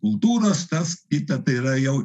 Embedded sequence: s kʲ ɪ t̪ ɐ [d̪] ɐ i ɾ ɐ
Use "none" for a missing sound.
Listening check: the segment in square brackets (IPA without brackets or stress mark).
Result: t̪